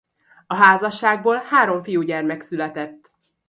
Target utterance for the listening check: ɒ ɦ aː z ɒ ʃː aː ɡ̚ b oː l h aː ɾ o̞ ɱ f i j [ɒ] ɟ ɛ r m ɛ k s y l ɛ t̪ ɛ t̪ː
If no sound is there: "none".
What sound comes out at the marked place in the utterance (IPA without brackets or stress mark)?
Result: u